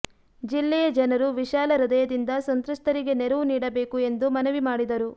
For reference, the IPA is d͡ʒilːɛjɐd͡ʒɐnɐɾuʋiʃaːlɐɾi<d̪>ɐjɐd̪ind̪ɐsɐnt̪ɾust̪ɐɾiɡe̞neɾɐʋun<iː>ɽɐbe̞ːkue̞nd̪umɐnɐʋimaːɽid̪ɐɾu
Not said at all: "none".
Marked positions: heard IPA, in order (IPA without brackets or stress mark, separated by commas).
d̪, iː